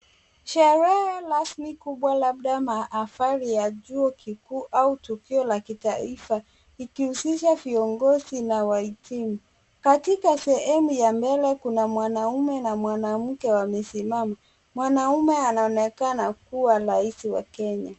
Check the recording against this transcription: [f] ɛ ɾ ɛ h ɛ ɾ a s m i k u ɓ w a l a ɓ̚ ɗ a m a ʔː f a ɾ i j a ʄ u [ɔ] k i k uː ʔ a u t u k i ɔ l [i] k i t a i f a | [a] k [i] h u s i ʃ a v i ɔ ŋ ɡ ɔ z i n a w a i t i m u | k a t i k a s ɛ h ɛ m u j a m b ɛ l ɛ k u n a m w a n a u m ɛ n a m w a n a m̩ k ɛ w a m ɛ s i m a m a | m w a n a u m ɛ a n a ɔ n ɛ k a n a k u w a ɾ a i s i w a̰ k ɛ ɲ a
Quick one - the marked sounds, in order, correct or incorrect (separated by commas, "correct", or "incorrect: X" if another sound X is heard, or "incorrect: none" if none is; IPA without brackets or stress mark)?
incorrect: ʃ, correct, incorrect: a, incorrect: i, correct